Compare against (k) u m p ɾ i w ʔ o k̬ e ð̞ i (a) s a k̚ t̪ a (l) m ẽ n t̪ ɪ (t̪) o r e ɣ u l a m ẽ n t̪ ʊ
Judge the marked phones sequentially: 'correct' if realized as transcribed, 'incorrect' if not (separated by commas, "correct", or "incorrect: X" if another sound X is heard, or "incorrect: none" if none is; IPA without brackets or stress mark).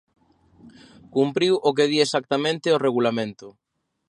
correct, incorrect: e, incorrect: none, incorrect: none